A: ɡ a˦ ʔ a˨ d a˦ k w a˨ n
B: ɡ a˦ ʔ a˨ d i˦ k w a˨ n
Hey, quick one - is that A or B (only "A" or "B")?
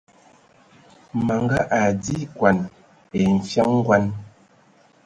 B